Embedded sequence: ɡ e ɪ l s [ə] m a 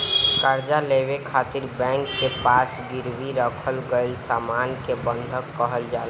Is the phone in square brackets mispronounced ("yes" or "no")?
yes